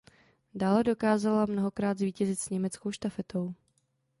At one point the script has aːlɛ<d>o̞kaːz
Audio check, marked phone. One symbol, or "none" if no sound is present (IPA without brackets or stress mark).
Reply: d